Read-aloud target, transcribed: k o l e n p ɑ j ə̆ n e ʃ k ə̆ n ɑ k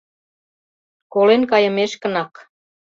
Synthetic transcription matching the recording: k o l e n k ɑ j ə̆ m e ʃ k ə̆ n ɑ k

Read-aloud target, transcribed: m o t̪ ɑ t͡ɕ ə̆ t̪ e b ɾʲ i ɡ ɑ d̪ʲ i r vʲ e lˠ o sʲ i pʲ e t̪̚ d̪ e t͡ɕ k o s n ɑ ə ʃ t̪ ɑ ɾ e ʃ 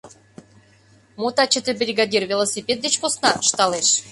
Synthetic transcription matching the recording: m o t̪ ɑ t͡ɕ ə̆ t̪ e b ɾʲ i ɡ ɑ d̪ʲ i r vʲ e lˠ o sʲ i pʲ e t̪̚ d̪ e t͡ɕ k o s n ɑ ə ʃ t̪ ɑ l e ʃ

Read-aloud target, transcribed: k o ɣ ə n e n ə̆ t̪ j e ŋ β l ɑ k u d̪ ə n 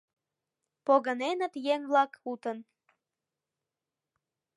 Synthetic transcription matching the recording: p o ɣ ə n e n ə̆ t̪ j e ŋ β l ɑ k u t̪ ə n

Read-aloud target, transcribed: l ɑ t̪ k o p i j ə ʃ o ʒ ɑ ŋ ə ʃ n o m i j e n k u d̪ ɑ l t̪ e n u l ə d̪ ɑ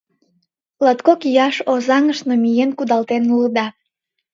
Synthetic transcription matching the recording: l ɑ t̪ k o k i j ɑ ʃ o z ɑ ŋ ə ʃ n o m i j e n k u d̪ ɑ l t̪ e n u l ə d̪ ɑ

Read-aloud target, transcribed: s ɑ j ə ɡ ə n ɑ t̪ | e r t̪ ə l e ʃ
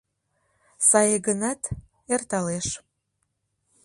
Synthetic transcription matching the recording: s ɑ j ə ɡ ə n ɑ t̪ | e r t̪ ɑ l e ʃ

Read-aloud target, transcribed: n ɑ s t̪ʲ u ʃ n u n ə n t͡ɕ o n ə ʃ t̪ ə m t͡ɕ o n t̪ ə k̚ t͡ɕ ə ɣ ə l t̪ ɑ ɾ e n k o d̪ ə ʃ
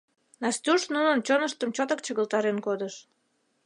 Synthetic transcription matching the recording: n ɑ s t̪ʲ u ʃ n u n ə n t͡ɕ o n ə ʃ t̪ ə m t͡ɕ o t̪ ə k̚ t͡ɕ ə ɣ ə l t̪ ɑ ɾ e n k o d̪ ə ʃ

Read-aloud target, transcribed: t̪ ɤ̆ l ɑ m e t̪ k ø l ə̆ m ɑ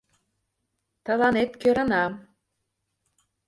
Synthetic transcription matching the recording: t̪ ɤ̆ l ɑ n e t̪ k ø ɾ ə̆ n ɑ

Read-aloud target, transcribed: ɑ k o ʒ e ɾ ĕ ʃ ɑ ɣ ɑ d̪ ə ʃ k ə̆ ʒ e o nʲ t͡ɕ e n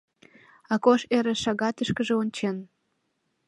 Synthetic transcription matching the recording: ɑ k o ʃ e ɾ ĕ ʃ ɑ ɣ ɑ t̪ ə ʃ k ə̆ ʒ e o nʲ t͡ɕ e n

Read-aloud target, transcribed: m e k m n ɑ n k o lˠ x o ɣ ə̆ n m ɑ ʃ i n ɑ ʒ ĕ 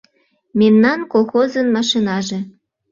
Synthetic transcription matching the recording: m e m n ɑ n k o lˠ x o z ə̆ n m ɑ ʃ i n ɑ ʒ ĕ

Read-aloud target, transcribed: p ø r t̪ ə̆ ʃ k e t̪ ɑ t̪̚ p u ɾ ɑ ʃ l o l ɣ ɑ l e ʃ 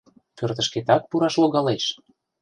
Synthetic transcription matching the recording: p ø r t̪ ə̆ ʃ k e t̪ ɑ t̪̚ p u ɾ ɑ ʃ l o ɣ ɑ l e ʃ

